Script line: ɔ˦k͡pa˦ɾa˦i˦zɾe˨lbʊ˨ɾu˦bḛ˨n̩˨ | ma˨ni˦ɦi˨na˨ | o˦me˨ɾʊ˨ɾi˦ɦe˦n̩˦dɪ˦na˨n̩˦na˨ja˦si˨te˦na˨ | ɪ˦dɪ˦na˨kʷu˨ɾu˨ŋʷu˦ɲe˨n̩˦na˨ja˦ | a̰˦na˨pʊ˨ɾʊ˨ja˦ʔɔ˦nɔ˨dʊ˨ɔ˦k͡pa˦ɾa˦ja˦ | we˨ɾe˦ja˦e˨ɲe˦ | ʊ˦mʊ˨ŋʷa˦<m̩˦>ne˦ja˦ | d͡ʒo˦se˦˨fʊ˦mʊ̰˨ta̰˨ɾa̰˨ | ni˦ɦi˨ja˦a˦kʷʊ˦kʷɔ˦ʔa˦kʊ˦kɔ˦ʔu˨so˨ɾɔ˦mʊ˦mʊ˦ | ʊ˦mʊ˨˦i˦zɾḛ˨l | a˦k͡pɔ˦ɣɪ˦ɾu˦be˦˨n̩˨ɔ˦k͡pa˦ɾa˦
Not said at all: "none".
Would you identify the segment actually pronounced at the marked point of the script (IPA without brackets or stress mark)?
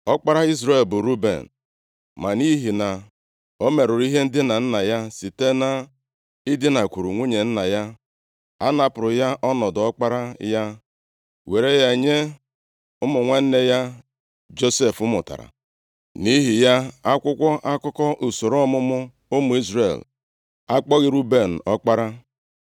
n̩˦